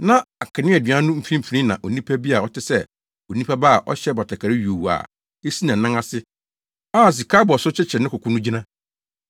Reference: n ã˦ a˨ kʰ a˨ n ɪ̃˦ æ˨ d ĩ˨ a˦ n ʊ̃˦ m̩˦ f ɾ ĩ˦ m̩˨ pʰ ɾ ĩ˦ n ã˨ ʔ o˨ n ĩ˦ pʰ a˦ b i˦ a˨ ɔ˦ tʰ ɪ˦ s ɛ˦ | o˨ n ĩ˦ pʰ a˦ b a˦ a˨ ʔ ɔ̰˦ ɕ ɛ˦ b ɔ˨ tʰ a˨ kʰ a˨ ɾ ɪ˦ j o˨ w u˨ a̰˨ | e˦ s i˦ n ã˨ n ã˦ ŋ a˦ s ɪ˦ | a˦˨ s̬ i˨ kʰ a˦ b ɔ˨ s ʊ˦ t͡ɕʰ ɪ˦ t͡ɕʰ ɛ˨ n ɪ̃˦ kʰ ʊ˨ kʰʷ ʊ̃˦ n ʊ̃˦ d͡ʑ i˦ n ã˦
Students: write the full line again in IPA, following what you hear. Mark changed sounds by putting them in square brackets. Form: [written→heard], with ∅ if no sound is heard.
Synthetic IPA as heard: n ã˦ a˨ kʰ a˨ n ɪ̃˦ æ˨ d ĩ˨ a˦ n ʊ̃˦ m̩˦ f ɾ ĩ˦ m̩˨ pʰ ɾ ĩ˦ n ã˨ ʔ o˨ n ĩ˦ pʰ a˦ b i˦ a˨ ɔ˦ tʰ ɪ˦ s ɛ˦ | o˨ n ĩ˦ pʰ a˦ b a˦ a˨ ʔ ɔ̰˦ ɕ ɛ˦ b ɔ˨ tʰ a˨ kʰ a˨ ɾ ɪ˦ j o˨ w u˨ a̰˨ | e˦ s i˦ n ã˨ n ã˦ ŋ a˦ s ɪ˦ | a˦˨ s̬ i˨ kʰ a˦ b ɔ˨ s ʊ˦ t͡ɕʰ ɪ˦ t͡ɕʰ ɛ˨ n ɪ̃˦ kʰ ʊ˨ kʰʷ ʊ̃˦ n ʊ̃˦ d͡ʑ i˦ n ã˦